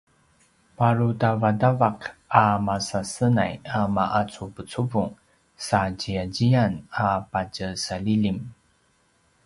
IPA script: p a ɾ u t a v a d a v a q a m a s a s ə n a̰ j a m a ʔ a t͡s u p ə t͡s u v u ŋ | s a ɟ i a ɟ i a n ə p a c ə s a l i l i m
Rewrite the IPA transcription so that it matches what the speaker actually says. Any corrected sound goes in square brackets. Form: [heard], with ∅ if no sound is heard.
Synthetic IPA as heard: p a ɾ u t a v a d a v a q a m a s a s ə n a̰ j a m a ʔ a t͡s u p ə t͡s u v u ŋ | s a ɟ i a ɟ i a n [a] p a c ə s a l i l i m